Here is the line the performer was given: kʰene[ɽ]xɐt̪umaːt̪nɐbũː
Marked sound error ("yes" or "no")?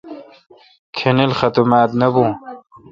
yes